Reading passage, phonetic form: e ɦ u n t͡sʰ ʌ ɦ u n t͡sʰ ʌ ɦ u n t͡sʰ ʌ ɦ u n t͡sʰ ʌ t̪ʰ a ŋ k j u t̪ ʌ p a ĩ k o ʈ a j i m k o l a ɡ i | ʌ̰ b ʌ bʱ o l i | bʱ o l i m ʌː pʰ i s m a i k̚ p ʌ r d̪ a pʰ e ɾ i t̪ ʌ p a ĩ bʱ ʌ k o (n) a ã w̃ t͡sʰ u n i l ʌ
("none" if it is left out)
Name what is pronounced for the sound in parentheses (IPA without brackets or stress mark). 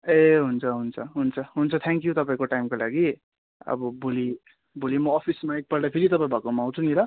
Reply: m